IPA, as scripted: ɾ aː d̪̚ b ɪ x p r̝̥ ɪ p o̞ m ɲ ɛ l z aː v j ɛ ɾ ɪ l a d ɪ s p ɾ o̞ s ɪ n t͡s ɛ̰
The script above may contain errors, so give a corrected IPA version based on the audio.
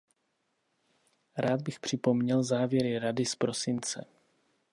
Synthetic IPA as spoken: ɾ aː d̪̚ b ɪ x p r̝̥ ɪ p o̞ m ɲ ɛ l z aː v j ɛ ɾ ɪ ɾ a d ɪ s p ɾ o̞ s ɪ n t͡s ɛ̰